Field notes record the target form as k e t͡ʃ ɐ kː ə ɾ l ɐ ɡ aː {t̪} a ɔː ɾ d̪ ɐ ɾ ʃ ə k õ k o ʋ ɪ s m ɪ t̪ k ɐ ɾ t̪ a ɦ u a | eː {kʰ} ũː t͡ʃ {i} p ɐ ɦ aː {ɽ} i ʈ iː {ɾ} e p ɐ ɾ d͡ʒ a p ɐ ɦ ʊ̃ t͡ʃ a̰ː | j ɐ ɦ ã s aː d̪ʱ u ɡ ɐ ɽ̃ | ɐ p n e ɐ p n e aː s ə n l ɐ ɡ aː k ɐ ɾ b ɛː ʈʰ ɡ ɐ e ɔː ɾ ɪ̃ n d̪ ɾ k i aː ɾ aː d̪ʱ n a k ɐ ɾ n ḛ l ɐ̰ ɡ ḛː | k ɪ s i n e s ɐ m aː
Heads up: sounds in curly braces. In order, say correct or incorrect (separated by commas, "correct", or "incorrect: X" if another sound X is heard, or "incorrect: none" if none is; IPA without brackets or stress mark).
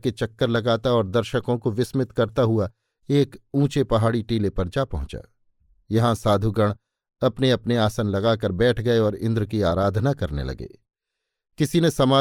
correct, incorrect: k, incorrect: e, correct, incorrect: l